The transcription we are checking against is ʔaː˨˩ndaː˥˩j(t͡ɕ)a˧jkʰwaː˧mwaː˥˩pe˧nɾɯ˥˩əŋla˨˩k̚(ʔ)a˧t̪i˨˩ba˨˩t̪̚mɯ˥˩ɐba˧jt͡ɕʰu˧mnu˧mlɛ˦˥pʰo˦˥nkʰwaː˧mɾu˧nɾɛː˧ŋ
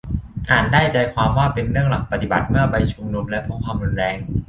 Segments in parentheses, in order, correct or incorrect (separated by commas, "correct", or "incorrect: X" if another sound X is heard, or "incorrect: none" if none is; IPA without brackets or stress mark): correct, incorrect: p